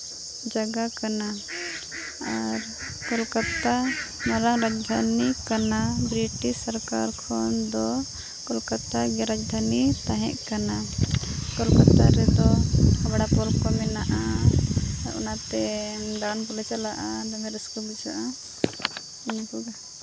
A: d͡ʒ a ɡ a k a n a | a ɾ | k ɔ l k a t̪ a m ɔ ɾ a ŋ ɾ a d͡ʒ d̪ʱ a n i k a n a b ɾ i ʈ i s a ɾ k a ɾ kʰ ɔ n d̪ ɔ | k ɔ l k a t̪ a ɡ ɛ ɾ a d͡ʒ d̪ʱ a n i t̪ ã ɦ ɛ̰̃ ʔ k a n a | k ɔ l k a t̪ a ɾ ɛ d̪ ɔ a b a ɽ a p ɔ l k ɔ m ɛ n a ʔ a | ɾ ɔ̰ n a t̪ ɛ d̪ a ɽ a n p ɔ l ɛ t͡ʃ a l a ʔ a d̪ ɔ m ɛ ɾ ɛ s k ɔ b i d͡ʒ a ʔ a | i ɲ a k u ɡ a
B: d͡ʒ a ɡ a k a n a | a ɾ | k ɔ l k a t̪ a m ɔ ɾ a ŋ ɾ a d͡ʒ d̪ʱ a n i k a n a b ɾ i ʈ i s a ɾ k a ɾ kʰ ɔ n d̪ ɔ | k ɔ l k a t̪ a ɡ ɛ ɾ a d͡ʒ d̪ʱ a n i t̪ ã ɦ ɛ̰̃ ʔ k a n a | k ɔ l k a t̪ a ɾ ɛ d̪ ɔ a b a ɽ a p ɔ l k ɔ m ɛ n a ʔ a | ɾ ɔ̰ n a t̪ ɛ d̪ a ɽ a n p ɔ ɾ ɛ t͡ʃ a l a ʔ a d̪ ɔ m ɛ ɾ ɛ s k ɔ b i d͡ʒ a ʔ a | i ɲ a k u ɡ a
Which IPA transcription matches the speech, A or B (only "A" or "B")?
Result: A